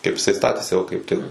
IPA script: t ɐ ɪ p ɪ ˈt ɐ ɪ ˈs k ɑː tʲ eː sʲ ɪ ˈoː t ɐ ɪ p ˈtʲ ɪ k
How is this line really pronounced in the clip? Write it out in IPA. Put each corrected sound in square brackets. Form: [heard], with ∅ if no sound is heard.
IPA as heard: [k] ɐ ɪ p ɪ [ˈs] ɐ ɪ ˈs [t] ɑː tʲ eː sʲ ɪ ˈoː [k] ɐ ɪ p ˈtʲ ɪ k